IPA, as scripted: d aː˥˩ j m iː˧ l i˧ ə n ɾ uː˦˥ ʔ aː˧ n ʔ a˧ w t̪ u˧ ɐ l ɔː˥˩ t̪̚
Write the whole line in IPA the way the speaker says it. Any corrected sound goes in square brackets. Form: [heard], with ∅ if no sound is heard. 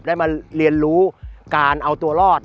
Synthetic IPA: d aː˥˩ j m [aː˧] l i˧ ə n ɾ uː˦˥ [k] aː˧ n ʔ a˧ w t̪ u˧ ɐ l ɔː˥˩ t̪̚